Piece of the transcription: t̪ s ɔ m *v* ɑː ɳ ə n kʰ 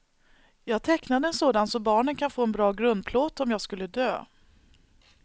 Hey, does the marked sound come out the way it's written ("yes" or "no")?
no